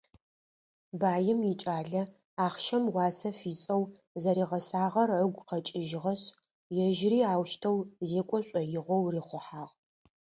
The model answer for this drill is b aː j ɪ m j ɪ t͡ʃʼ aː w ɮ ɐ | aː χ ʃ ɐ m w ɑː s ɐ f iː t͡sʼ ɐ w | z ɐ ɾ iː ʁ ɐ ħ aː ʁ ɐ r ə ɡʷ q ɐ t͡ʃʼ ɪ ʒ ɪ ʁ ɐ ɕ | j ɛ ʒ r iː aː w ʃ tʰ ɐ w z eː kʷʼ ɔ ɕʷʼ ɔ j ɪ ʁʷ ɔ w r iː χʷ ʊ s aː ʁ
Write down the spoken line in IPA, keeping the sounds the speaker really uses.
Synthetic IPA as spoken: b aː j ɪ m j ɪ t͡ʃʼ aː ɮ ɐ | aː χ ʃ ɐ m w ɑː s ɐ f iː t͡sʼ ɐ w | z ɐ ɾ iː ʁ ɐ s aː ʁ ɐ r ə ɡʷ q ɐ t͡ʃʼ ɪ ʒ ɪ ʁ ɐ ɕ | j ɛ ʒ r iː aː w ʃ tʰ ɐ w z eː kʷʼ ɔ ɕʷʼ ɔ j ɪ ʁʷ ɔ w r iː χʷ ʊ ħ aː ʁ